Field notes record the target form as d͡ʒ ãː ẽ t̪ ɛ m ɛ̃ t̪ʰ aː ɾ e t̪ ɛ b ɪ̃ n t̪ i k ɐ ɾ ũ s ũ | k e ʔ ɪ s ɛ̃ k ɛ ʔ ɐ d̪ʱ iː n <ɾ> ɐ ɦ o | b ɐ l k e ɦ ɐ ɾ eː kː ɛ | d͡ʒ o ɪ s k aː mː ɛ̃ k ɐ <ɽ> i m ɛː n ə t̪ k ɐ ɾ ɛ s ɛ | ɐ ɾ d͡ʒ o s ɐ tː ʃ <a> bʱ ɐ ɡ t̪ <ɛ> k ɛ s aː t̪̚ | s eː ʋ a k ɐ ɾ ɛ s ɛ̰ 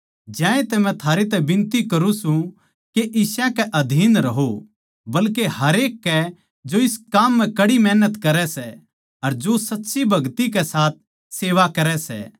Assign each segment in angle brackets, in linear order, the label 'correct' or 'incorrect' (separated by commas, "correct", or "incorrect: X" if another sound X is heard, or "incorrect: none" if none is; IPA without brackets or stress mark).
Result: correct, correct, incorrect: i, incorrect: i